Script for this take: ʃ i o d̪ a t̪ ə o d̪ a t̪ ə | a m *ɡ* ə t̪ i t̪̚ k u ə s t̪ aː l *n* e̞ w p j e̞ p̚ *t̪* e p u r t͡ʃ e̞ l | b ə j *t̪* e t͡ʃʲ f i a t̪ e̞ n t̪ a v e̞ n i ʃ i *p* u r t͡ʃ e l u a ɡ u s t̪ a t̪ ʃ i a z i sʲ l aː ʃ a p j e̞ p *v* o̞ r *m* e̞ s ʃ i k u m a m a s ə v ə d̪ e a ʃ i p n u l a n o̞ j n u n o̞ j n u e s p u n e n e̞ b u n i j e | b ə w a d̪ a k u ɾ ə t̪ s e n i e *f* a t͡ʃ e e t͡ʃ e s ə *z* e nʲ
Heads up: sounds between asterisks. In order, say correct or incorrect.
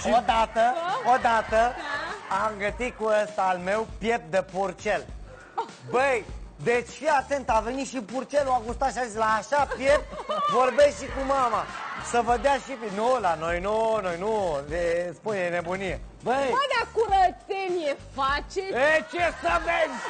correct, incorrect: m, incorrect: d̪, incorrect: d̪, correct, correct, incorrect: b, correct, incorrect: v

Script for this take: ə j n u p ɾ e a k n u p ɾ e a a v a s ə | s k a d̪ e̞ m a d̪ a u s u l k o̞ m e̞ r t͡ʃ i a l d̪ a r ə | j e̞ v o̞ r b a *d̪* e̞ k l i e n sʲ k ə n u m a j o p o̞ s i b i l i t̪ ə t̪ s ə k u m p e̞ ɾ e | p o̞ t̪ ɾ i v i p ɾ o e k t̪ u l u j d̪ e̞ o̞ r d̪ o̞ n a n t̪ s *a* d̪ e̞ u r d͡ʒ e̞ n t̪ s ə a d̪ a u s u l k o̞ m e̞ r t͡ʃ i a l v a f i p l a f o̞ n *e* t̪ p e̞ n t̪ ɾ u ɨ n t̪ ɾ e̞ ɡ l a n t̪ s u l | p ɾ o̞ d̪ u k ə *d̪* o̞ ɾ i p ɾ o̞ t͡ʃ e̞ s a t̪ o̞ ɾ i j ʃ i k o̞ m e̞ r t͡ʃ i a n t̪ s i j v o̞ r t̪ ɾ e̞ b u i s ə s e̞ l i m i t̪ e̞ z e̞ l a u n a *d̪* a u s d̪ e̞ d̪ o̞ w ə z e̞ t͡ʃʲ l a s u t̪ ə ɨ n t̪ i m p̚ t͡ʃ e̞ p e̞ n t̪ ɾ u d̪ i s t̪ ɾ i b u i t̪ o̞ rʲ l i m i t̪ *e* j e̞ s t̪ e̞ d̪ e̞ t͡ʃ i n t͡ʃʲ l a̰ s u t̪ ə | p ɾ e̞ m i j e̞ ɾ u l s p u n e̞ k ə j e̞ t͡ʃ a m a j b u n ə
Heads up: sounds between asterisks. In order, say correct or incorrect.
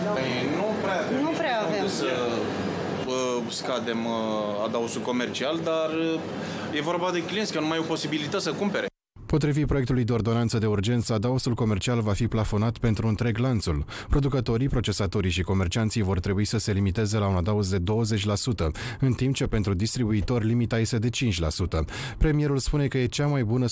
correct, incorrect: ə, incorrect: a, incorrect: t̪, correct, incorrect: a

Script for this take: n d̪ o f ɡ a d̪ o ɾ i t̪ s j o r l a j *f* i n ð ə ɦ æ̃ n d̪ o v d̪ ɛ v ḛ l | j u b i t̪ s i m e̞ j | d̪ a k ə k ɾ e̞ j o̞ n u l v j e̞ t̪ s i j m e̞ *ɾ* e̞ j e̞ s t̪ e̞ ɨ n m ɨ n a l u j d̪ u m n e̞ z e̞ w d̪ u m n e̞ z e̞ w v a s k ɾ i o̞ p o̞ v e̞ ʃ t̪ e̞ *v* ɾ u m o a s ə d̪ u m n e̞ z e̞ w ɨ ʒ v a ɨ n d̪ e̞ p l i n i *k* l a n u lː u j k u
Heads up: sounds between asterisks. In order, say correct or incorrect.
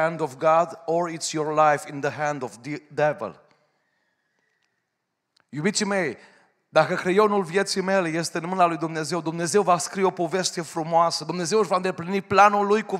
correct, incorrect: l, incorrect: f, incorrect: p

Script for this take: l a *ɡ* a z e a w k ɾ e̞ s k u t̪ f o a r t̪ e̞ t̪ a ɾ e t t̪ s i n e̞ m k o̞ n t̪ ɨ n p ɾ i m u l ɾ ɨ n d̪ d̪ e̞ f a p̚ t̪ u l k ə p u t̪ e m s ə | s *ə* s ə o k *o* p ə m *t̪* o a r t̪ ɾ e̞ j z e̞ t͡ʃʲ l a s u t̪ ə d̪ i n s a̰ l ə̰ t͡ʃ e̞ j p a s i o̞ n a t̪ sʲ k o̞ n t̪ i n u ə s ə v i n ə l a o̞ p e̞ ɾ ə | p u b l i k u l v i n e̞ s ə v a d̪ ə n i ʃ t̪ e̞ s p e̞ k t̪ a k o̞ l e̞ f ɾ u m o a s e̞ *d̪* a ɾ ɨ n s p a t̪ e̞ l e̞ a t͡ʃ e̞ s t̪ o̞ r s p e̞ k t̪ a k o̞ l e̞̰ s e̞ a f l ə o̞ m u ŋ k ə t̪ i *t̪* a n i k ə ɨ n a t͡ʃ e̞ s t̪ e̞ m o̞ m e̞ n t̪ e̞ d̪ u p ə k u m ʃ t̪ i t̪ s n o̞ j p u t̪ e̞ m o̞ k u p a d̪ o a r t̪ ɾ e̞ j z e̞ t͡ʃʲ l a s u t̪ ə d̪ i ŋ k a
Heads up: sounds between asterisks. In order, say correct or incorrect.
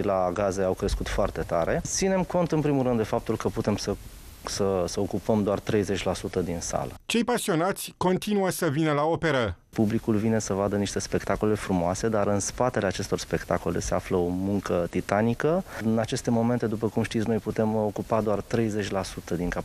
correct, correct, incorrect: u, incorrect: d̪, correct, correct

